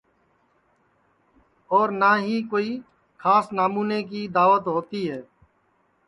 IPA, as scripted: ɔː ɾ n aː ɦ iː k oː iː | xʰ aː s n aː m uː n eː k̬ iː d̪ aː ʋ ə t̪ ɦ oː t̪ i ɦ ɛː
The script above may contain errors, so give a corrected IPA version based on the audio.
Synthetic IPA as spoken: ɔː ɾ n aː ɦ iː k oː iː | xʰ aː s n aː m uː n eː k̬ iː d̪ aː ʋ ə t̪ ɦ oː t̪ i ɦ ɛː